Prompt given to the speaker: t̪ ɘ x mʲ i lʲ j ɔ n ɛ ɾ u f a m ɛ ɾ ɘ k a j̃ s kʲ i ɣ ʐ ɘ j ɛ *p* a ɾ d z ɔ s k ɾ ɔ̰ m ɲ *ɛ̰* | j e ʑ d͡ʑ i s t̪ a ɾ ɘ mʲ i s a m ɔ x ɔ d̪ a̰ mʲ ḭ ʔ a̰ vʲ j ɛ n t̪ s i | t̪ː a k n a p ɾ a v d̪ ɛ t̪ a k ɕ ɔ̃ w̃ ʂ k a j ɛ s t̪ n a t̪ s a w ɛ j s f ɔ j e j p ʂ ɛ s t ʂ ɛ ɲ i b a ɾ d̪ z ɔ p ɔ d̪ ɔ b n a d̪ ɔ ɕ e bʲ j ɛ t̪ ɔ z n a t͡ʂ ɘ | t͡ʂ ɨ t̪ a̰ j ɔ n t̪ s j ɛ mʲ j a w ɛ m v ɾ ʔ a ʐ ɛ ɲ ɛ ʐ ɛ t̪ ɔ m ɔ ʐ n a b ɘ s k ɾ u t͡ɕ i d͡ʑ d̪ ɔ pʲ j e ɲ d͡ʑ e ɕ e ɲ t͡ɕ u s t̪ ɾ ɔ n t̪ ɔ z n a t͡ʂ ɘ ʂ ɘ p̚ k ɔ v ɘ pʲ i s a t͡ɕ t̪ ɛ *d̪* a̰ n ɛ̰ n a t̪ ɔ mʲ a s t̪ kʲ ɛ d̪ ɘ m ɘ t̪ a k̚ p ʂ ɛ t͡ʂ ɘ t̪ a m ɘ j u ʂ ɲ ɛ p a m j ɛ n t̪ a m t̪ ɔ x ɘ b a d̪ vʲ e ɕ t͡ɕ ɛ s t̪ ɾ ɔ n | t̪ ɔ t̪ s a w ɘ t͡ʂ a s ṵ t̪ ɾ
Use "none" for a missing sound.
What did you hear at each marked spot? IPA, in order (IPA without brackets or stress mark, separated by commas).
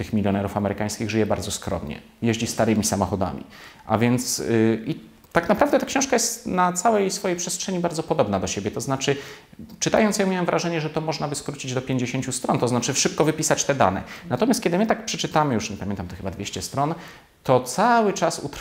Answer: b, ɛ̰, d̪